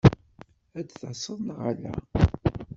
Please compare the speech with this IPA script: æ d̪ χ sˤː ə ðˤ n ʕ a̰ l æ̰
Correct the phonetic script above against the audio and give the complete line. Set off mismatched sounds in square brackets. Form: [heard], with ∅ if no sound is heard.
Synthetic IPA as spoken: æ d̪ [θ] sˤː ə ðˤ n [ʁ] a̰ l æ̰